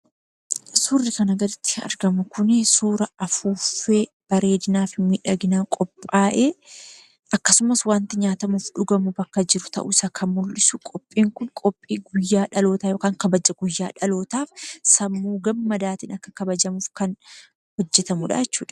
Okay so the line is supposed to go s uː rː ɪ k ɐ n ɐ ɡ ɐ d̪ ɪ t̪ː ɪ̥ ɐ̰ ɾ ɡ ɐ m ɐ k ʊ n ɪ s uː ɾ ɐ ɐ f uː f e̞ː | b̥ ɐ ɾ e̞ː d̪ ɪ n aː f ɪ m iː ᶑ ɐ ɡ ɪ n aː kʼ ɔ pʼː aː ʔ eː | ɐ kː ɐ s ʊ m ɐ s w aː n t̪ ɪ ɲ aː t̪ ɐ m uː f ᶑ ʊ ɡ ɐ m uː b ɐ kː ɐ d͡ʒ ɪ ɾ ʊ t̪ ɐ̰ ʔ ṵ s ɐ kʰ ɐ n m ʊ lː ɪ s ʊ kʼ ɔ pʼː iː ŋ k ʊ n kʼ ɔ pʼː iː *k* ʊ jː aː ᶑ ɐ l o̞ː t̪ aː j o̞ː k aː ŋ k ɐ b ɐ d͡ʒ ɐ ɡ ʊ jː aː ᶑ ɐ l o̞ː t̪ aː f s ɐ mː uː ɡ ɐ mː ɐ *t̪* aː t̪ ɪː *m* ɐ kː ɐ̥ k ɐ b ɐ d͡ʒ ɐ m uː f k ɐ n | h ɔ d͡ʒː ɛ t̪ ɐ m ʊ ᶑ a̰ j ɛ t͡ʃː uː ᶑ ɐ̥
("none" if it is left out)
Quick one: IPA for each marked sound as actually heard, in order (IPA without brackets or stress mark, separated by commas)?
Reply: ɡ, d̪, n